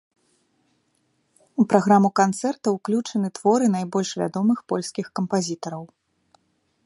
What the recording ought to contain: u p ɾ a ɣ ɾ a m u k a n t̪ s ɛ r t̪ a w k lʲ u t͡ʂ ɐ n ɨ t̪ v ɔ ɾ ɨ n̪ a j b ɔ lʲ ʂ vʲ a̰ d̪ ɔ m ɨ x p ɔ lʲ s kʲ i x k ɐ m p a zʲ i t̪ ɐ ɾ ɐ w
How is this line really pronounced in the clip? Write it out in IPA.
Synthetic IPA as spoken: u p ɾ a ɣ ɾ a m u k a n t̪ s ɛ r t̪ ɐ w k lʲ u t͡ʂ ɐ n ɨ t̪ v ɔ ɾ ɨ n̪ a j b ɔ lʲ ʂ vʲ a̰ d̪ ɔ m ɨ x p ɔ lʲ s kʲ i x k ɐ m p a zʲ i t̪ ɐ ɾ ɐ w